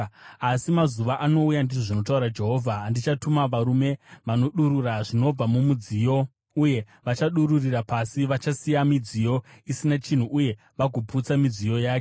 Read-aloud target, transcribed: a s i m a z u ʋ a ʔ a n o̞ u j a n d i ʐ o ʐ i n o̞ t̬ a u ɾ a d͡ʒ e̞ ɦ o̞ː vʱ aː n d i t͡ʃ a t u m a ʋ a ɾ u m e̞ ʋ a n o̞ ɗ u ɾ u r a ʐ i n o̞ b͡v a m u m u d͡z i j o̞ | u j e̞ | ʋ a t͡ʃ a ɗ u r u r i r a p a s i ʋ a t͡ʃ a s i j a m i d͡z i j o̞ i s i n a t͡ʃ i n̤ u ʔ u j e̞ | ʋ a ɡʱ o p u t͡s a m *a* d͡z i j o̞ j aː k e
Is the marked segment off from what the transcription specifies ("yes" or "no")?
yes